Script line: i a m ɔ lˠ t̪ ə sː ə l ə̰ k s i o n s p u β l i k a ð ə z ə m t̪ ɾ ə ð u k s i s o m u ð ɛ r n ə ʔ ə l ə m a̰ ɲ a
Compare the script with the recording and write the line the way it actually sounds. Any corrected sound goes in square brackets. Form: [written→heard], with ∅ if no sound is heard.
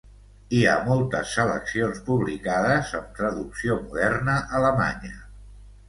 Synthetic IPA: i a m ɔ lˠ t̪ ə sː ə l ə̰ k s i o n s p u β l i k a ð ə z ə m t̪ ɾ ə ð u k s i [s→∅] o m u ð ɛ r n ə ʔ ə l ə m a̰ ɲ [a→ə]